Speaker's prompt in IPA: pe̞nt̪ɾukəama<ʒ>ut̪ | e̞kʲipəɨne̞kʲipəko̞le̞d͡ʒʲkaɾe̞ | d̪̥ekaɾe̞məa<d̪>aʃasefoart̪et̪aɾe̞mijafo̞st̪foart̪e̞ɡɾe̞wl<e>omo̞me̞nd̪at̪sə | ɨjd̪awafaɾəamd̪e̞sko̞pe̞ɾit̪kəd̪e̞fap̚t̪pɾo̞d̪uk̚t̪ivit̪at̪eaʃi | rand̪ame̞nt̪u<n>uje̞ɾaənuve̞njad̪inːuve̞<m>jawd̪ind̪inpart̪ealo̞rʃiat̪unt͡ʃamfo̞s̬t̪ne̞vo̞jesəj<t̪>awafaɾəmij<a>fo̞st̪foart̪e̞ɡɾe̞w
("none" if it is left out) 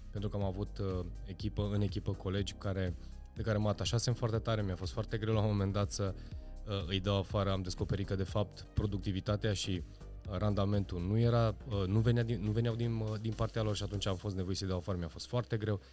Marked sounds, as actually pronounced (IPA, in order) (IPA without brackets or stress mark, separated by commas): v, t̪, a, n, n, d̪, a